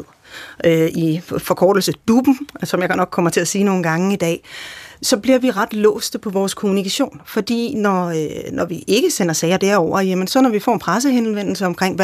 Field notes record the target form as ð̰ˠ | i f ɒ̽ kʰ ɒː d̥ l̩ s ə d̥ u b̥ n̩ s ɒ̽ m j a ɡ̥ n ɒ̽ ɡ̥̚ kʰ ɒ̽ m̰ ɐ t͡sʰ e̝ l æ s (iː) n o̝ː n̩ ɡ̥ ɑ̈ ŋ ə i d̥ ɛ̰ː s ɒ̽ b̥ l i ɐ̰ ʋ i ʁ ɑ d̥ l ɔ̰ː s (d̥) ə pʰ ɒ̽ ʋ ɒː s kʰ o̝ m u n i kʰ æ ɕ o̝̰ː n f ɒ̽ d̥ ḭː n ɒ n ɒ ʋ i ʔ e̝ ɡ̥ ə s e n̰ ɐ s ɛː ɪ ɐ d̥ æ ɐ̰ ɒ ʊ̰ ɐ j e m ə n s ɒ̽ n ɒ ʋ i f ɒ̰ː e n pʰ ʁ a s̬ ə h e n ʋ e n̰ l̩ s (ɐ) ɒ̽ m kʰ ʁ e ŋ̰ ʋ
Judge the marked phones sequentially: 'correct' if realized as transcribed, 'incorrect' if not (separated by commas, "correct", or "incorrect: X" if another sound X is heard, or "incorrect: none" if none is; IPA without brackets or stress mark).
correct, correct, incorrect: ə